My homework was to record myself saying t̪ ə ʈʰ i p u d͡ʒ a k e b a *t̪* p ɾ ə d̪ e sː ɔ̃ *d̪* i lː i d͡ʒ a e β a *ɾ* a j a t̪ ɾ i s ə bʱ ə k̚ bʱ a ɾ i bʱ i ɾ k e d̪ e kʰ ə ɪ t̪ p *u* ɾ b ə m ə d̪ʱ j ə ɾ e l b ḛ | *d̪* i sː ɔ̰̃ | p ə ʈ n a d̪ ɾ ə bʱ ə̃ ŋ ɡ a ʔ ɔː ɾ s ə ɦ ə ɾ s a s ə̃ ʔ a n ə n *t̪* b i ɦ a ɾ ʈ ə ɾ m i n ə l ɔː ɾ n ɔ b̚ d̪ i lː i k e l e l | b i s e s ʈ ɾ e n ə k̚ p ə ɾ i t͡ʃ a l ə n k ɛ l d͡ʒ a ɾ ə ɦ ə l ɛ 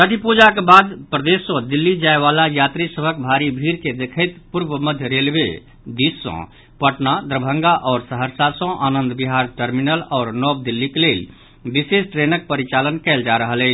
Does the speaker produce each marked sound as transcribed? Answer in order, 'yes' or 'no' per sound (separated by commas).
no, yes, no, yes, yes, no